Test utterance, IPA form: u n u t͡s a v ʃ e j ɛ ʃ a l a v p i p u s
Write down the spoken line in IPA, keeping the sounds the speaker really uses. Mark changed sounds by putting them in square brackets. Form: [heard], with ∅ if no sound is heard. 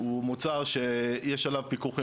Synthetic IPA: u [m] u t͡s a [ʁ] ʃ e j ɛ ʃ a l a v p i [k] u [χ]